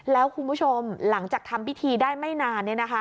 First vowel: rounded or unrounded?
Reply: unrounded